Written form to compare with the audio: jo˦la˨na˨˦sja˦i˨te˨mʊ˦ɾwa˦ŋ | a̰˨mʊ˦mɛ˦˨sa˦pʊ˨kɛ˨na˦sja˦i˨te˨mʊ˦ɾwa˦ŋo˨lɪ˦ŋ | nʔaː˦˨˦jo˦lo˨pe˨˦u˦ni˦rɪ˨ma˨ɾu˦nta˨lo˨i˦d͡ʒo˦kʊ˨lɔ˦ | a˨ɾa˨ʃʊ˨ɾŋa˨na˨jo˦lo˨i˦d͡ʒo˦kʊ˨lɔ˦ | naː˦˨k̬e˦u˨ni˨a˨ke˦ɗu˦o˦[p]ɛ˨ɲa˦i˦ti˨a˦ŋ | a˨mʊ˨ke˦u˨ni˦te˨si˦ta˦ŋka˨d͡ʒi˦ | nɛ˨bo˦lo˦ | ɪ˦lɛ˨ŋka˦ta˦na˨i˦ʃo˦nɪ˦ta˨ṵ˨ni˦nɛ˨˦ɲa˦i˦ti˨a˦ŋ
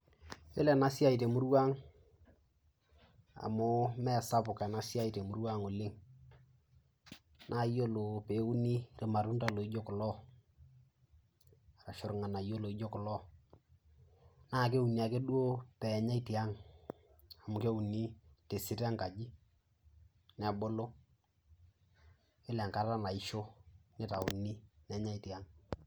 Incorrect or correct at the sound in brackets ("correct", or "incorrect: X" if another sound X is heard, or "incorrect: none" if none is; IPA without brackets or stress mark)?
correct